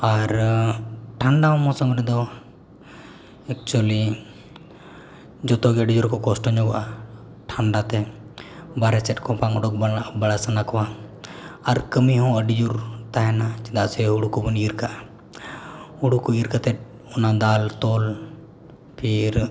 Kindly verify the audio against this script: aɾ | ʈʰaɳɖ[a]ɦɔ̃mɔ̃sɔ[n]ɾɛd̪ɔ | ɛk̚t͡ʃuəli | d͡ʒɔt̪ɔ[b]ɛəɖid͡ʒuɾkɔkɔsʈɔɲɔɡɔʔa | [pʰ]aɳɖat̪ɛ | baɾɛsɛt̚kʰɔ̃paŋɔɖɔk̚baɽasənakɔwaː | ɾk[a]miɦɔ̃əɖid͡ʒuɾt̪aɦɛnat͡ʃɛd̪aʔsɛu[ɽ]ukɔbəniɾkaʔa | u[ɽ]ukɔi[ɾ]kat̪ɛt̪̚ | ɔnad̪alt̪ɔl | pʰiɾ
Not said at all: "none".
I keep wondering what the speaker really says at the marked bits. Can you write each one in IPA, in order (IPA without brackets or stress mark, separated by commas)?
a, m, ɡ, ʈʰ, ə, ɽ, ɽ, ɾ